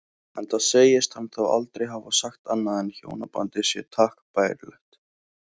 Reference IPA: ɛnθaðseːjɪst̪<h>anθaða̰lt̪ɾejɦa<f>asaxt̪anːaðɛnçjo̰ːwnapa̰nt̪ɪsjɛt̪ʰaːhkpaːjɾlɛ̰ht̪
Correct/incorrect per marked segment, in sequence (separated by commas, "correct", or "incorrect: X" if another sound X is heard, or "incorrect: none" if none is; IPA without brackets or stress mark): correct, incorrect: v